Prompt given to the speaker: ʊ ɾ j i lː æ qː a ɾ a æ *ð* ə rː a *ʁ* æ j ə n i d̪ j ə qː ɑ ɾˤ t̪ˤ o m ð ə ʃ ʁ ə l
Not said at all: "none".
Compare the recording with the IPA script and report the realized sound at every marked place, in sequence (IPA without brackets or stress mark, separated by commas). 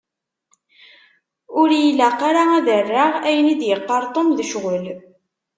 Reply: ð, ʁ